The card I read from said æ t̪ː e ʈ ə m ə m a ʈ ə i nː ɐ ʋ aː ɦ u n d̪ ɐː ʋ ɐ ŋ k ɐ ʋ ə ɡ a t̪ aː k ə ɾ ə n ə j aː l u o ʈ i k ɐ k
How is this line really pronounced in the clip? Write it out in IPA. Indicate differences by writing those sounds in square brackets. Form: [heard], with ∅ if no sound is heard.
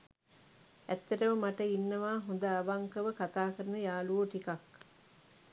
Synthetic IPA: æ t̪ː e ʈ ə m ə m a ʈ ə i nː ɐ ʋ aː ɦ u n d̪ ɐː ʋ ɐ ŋ k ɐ ʋ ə [k] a t̪ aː k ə ɾ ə n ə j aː l u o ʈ i k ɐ k